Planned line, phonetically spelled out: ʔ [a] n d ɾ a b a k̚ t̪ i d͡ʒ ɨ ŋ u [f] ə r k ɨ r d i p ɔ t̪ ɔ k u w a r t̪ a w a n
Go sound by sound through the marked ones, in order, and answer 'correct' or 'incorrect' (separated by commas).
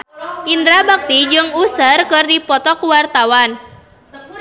incorrect, incorrect